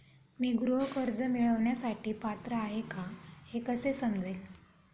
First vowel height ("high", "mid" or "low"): high